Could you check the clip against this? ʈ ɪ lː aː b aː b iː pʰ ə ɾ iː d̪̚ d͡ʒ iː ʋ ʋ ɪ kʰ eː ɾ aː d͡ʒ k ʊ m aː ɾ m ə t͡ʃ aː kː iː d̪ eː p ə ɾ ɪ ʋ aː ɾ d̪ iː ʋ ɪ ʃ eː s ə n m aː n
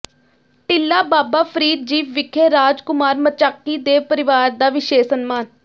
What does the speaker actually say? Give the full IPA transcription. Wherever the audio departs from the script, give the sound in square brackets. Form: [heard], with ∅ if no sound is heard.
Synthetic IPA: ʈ ɪ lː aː b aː b [aː] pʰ ə ɾ iː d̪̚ d͡ʒ iː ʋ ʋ ɪ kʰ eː ɾ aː d͡ʒ k ʊ m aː ɾ m ə t͡ʃ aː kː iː d̪ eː p ə ɾ ɪ ʋ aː ɾ d̪ [aː] ʋ ɪ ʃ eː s ə n m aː n